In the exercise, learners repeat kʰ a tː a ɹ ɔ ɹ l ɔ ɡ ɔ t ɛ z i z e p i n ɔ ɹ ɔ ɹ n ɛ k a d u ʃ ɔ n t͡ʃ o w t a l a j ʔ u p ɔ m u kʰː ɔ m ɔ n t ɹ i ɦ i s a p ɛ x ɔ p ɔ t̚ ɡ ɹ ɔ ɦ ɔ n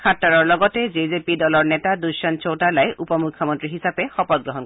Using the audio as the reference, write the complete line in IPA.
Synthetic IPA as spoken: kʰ a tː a ɹ ɔ ɹ l ɔ ɡ ɔ t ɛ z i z e p i d ɔ l ɔ ɹ n ɛ t a d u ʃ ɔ n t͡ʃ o w t a l a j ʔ u p ɔ m u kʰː ɔ m ɔ n t ɹ i ɦ i s a p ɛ x ɔ p ɔ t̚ ɡ ɹ ɔ ɦ ɔ n